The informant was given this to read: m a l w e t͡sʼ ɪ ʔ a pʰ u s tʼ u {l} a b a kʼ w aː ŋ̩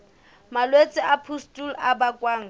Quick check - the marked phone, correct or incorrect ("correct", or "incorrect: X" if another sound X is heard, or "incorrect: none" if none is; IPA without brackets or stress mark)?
correct